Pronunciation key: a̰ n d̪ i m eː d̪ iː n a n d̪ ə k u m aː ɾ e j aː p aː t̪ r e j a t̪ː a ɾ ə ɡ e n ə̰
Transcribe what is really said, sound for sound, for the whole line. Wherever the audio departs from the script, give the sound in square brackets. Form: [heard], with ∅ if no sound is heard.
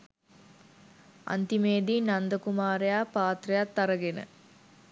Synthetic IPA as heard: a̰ n [t̪] i m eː d̪ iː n a n d̪ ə k u m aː ɾ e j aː p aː t̪ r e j a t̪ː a ɾ ə ɡ e n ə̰